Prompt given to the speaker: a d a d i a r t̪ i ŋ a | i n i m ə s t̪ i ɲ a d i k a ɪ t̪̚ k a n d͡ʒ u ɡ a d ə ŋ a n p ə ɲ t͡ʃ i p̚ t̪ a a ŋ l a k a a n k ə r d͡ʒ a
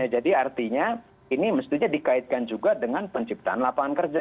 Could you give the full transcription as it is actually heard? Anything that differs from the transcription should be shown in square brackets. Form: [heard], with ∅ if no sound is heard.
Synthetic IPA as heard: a [d͡ʒ] a d i a r t̪ i [ɲ] a | i n i m ə s t̪ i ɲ a d i k a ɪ t̪̚ k a n d͡ʒ u ɡ a d ə ŋ a n p ə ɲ t͡ʃ i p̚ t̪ a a [n] l a [p] a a n k ə r d͡ʒ a